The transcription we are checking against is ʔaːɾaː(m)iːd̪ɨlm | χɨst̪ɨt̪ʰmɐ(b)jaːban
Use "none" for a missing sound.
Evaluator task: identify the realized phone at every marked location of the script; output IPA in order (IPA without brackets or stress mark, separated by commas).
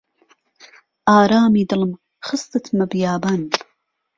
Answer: m, b